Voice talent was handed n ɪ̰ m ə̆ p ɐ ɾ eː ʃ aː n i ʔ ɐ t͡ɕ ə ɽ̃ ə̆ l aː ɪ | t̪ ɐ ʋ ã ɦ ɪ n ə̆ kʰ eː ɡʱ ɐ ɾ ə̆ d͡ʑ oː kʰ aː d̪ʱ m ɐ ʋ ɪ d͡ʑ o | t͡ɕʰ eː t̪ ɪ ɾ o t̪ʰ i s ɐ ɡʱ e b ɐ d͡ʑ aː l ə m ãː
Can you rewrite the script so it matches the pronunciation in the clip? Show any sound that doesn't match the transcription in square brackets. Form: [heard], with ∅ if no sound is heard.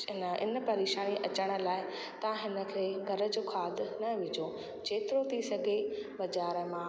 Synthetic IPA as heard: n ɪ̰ [n] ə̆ p ɐ ɾ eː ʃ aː n i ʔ ɐ t͡ɕ ə ɽ̃ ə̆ l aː ɪ | t̪ ɐ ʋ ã ɦ ɪ n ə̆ kʰ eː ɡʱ ɐ ɾ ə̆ d͡ʑ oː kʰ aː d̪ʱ [n] ɐ ʋ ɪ d͡ʑ o | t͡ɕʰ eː t̪ ɪ ɾ o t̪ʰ i s ɐ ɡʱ e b ɐ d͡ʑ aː [ɾ] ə m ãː